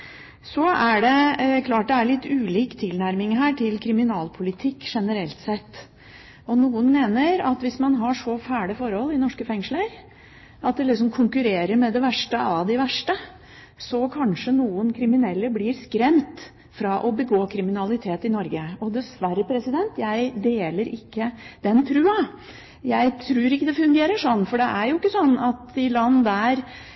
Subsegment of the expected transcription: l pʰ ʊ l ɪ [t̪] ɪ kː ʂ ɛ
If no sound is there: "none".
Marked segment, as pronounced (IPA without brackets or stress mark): t̪ʰ